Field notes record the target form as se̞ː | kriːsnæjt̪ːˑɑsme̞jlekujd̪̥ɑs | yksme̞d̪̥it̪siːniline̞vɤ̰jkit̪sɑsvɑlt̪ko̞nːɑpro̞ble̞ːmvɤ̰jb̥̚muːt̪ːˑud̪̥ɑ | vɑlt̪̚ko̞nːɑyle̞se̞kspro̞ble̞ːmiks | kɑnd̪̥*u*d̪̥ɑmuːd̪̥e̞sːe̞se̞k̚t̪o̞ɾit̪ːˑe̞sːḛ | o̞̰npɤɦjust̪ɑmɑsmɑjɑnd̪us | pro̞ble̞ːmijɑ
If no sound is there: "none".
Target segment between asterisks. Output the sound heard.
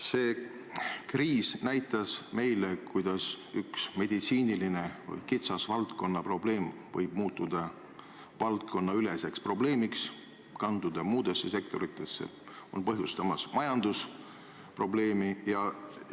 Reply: u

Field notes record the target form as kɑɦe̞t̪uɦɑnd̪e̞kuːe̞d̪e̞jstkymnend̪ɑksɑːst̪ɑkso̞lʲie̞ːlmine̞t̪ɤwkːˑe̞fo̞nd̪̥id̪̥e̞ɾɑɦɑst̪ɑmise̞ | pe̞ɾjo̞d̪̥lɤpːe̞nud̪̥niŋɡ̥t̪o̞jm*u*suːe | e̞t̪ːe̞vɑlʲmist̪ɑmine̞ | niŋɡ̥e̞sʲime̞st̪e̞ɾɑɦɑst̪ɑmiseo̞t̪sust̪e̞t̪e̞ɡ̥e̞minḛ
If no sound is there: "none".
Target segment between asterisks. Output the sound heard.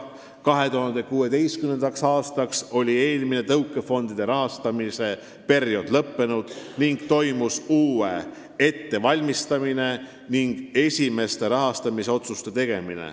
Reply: u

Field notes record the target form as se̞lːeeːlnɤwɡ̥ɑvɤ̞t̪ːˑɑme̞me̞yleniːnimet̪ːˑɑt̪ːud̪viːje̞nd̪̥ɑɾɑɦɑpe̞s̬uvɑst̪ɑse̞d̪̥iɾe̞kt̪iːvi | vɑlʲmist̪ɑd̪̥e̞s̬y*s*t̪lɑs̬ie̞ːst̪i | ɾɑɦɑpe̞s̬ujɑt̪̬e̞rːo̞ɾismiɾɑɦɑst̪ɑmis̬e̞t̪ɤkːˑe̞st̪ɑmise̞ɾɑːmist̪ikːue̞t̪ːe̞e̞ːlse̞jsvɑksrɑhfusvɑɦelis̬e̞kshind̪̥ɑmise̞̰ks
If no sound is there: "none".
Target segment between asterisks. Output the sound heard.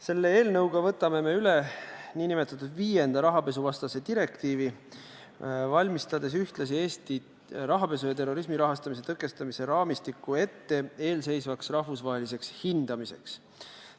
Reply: h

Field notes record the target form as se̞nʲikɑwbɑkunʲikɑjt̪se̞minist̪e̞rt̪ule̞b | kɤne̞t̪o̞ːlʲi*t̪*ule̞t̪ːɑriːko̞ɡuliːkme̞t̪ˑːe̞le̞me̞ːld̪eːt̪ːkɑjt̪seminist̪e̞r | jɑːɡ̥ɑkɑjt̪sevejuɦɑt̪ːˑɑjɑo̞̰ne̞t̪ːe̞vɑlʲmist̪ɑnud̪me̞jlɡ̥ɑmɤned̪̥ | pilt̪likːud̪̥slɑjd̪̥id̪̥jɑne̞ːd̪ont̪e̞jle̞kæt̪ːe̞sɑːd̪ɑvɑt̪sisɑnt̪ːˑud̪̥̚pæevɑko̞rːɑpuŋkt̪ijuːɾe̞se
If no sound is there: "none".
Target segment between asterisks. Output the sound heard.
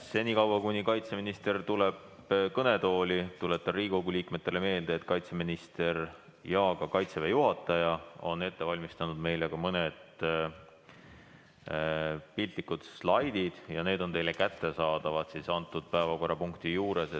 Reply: t̪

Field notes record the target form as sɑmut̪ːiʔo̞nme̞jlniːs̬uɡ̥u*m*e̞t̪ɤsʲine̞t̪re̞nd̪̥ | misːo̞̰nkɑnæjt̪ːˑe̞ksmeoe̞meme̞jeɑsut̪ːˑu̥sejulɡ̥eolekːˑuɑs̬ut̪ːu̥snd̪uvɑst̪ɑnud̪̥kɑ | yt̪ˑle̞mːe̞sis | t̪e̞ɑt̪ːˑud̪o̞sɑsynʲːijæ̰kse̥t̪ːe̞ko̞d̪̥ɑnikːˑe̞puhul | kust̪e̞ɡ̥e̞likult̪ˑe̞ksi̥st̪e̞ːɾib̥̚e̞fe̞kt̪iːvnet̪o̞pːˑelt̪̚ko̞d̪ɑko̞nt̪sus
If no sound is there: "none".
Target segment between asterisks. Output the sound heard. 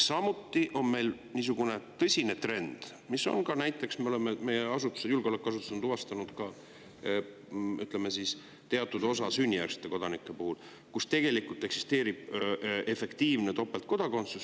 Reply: n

